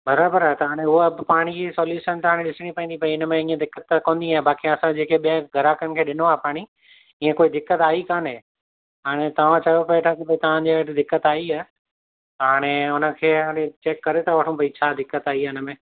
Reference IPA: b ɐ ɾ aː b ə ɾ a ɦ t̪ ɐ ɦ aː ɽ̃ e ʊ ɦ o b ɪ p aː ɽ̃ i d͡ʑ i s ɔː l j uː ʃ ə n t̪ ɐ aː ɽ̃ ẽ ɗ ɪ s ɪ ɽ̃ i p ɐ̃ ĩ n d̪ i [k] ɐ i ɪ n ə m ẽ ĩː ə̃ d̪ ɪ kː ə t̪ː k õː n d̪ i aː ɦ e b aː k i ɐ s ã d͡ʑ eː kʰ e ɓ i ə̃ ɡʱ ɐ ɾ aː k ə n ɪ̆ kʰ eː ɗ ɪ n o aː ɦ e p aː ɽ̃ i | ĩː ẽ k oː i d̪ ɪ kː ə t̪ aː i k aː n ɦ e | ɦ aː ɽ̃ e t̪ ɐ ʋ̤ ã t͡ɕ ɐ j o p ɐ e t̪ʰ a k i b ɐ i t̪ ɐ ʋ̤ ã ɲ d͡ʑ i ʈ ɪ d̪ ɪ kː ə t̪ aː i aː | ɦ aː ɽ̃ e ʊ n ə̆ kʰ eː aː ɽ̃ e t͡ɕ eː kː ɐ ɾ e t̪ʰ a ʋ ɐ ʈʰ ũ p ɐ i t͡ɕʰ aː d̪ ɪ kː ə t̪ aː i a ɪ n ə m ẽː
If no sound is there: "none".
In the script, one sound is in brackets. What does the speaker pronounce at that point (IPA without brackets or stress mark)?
p